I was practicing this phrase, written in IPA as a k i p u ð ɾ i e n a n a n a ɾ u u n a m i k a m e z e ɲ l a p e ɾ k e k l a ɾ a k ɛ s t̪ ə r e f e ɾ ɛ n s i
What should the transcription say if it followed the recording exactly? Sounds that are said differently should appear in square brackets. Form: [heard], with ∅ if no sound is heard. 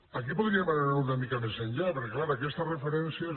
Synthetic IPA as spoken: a k i p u ð ɾ i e [m] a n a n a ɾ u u n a m i k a m e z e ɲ [ʎ] a p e ɾ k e k l a ɾ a k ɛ s t̪ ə r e f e ɾ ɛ n s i